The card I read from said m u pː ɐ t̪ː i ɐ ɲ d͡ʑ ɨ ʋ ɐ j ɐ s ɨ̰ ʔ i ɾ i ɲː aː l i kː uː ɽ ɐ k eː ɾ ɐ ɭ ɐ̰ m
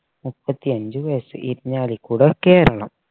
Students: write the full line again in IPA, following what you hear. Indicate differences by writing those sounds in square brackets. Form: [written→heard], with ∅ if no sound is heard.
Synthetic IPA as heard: m u pː ɐ t̪ː i ɐ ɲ d͡ʑ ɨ ʋ ɐ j ɐ s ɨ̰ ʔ i ɾ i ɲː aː l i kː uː ɽ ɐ k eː ɾ ɐ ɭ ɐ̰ m